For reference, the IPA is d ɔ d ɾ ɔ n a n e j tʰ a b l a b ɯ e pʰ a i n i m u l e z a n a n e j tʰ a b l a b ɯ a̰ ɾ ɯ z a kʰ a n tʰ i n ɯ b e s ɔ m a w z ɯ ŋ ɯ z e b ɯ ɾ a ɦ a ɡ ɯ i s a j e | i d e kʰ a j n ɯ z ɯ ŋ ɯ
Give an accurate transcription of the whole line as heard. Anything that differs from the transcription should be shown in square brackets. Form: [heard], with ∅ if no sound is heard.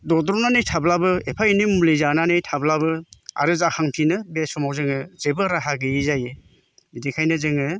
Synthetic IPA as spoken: d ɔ d ɾ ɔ n a n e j tʰ a b l a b ɯ e pʰ a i n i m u l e z a n a n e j tʰ a b l a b ɯ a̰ ɾ ɯ z a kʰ a [ŋ] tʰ i n ɯ b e s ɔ m a w z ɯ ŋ ɯ z e b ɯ ɾ a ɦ a ɡ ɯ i [z] a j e | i d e kʰ a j n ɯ z ɯ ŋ ɯ